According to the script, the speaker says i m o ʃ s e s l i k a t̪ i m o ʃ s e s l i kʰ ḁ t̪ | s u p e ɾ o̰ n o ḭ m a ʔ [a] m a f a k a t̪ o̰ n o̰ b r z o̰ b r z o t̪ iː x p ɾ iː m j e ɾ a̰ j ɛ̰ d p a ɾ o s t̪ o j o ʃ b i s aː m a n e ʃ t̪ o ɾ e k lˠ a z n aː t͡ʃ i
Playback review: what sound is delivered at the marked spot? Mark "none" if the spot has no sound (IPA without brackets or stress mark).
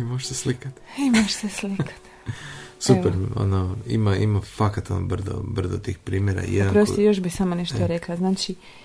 i